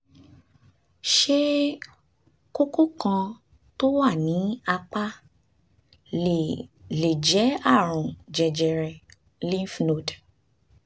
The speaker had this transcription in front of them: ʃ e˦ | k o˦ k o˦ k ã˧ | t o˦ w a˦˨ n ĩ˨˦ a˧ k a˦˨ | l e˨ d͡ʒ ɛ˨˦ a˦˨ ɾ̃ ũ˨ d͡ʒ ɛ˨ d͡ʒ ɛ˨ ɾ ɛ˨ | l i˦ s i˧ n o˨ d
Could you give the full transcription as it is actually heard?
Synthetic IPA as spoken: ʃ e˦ | k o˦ k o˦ k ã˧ | t o˦ w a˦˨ n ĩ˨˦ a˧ k͡p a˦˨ | l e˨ d͡ʒ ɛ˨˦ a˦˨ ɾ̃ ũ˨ d͡ʒ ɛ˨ d͡ʒ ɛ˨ ɾ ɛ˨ | l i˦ f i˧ n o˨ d